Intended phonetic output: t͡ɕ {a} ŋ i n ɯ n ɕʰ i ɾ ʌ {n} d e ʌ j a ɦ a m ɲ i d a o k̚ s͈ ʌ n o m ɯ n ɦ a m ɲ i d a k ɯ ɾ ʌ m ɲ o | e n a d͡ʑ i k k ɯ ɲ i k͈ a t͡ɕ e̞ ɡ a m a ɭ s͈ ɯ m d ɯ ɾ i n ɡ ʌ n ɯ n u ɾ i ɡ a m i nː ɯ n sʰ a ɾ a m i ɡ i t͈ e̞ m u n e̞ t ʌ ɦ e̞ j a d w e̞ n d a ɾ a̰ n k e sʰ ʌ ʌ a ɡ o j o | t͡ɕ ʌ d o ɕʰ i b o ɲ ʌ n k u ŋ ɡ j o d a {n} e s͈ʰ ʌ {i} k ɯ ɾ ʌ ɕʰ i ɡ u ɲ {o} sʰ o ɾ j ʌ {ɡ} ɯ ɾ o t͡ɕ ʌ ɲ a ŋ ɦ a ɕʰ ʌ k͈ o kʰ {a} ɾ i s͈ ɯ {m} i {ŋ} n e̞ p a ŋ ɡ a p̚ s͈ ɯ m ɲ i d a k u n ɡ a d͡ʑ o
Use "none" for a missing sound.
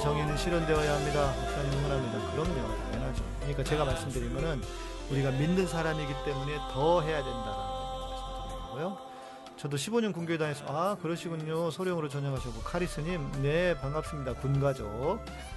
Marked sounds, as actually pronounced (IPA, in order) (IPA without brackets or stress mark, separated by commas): ʌ, n, ŋ, a, o, ŋ, a, ɲ, m